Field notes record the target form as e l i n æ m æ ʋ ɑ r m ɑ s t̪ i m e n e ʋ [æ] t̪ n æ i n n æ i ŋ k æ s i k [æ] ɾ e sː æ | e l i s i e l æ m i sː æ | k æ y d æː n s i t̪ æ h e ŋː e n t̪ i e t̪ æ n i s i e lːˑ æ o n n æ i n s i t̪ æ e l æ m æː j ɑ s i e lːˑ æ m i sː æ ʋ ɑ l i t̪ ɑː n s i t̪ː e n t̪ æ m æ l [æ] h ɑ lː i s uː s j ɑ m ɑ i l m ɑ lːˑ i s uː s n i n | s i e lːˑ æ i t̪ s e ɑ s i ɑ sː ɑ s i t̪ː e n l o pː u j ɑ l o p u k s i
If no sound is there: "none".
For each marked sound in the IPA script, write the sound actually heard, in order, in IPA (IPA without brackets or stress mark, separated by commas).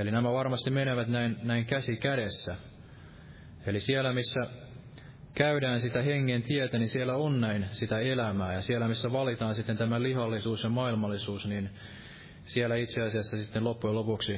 æ, æ, i